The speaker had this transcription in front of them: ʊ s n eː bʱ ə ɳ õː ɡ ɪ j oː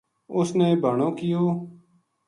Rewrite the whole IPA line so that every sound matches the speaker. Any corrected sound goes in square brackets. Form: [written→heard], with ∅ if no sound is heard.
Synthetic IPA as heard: ʊ s n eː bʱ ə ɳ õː [ɡ→k] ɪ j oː